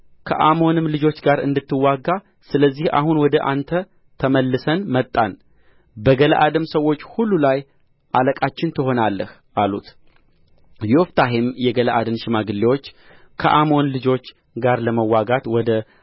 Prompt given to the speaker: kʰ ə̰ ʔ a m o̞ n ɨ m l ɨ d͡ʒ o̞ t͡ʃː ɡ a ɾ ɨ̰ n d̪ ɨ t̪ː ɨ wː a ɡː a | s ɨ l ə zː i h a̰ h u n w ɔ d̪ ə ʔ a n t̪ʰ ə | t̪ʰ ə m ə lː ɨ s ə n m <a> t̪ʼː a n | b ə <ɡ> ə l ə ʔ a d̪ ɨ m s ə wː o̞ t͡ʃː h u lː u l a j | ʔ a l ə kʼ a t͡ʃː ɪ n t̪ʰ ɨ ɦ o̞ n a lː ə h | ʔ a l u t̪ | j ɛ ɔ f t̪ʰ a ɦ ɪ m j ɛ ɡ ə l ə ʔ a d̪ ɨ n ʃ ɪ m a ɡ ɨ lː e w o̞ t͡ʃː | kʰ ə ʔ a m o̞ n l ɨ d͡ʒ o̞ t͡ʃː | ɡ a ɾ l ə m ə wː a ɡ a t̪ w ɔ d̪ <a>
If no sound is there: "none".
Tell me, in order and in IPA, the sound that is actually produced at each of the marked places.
ə, ɡ, ə

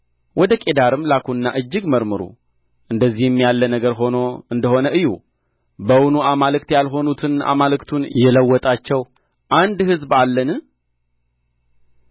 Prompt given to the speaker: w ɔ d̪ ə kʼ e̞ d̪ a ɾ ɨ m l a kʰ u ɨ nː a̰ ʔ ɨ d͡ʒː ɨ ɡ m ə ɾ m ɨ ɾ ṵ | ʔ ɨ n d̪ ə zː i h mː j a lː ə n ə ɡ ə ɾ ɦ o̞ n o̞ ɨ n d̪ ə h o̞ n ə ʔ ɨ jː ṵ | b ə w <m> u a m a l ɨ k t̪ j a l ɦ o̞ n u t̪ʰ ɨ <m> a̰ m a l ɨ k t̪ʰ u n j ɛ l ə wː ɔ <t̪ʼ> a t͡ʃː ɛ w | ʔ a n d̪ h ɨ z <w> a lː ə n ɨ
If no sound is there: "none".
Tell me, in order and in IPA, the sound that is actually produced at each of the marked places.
n, n, t̪ʼ, b

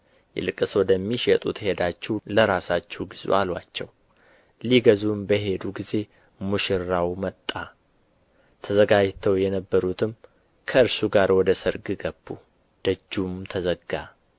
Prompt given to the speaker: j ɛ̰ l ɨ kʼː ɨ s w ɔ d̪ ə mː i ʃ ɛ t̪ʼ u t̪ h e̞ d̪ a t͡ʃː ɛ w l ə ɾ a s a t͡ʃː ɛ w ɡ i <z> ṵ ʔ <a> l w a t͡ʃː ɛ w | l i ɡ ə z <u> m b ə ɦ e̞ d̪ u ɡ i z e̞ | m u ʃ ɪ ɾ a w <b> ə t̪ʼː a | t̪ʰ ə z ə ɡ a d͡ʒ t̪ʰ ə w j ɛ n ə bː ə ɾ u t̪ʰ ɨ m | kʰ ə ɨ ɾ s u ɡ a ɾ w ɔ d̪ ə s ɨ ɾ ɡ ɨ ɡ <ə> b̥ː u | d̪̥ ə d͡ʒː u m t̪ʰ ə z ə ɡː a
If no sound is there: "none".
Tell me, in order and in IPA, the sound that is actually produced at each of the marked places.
z, a, u, m, ə

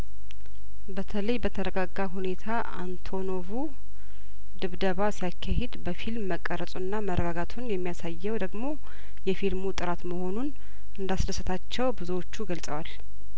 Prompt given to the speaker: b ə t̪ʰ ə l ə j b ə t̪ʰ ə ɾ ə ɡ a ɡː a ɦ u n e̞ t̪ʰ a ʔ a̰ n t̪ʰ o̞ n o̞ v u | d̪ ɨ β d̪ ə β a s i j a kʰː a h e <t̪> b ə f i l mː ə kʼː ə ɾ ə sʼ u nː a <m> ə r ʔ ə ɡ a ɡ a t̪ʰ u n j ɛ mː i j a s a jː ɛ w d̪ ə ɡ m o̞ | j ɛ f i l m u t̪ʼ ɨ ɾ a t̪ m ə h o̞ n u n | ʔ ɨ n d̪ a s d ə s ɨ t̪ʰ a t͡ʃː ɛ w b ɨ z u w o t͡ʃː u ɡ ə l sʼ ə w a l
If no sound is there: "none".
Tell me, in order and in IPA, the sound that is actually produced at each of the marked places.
d̪, m

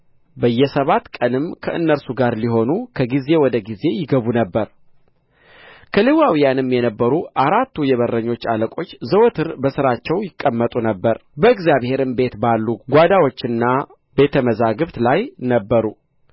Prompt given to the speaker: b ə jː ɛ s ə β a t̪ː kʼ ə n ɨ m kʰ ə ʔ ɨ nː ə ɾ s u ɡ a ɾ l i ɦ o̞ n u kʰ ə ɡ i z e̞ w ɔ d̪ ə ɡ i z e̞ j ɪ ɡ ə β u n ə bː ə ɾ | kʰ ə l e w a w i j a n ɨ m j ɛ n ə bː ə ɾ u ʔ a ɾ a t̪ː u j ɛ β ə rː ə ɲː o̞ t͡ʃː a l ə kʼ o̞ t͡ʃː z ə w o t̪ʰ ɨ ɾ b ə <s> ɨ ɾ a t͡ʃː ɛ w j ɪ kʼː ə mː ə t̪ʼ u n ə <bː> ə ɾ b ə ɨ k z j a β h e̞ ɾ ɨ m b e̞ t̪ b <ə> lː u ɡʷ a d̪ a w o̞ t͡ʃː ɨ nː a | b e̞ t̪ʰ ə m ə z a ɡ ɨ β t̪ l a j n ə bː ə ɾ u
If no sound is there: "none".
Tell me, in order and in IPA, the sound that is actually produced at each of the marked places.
s, bː, a

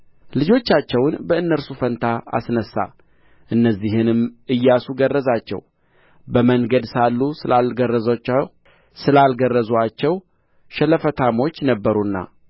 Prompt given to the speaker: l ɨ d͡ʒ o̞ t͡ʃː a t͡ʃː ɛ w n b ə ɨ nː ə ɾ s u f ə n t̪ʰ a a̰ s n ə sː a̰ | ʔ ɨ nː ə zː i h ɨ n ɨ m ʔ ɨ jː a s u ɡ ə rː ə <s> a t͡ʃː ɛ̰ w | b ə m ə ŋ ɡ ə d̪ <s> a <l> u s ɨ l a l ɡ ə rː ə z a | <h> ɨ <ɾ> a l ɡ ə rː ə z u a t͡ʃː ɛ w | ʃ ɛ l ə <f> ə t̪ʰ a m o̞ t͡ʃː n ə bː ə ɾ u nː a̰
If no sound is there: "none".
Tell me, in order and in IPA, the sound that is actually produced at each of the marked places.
z, s, lː, s, l, f

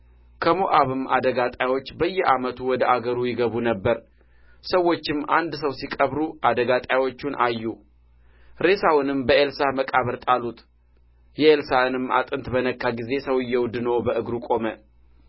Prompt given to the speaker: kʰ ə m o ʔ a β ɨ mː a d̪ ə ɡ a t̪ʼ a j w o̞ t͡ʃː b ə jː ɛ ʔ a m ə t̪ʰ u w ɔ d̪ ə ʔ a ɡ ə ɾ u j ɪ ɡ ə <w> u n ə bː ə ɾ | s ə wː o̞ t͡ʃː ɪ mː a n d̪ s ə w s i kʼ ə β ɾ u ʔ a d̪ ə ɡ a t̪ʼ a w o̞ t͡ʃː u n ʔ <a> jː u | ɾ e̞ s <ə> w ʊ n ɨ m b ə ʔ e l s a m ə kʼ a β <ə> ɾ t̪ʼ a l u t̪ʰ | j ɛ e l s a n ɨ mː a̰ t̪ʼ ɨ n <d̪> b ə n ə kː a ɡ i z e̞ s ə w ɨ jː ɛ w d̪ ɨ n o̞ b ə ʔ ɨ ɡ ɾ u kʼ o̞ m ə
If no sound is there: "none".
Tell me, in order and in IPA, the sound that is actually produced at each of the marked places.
β, a, a, ə, t̪

